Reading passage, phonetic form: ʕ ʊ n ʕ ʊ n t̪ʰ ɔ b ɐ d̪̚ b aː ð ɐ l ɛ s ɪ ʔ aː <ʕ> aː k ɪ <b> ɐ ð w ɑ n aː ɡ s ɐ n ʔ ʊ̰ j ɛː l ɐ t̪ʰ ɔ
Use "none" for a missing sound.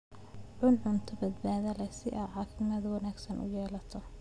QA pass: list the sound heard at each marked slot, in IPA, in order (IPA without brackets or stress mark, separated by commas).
ʕ, m